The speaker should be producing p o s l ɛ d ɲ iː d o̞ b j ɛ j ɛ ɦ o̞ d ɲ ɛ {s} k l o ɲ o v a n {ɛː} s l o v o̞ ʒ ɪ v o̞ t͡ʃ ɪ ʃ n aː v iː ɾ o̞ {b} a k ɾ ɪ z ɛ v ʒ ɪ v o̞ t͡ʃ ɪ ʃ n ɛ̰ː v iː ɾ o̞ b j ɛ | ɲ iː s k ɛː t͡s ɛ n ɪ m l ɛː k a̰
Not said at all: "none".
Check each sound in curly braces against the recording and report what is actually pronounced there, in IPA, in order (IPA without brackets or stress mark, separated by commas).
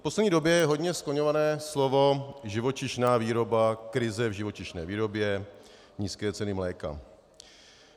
s, ɛː, b